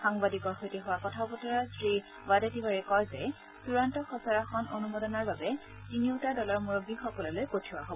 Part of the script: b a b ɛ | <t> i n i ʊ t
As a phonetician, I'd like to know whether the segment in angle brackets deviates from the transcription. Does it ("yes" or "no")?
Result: no